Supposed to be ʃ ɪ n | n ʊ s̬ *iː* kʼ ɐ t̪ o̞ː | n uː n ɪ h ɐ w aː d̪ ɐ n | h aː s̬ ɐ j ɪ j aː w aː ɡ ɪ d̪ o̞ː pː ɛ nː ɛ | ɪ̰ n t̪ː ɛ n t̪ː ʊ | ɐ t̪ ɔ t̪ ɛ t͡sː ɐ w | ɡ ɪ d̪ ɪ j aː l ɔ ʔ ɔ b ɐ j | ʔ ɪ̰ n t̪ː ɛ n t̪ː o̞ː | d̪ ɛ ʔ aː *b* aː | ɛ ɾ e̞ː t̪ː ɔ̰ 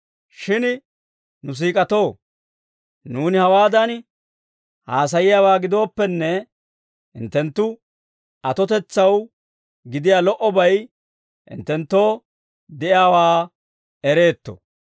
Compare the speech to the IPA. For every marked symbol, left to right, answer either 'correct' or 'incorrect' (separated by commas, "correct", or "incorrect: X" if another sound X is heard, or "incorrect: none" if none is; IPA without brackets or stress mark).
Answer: correct, incorrect: w